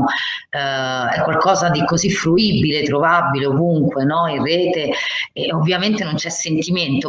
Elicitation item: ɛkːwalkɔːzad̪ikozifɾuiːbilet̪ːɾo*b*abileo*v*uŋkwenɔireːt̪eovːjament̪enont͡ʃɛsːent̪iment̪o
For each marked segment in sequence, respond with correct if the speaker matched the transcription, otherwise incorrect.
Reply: incorrect: v, correct

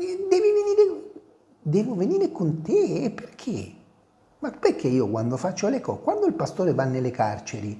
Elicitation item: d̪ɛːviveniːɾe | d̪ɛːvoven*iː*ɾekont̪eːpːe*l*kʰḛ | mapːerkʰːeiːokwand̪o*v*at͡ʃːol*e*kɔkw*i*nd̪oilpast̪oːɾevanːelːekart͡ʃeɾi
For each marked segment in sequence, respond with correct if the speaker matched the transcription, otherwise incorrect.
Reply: correct, incorrect: r, incorrect: f, correct, incorrect: a

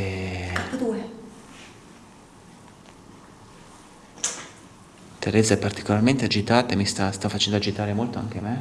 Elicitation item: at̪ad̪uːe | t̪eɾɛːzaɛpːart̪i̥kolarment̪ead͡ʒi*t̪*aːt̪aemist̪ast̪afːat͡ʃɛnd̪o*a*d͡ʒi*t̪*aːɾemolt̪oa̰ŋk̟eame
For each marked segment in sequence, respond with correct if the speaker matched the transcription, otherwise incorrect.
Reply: correct, correct, correct

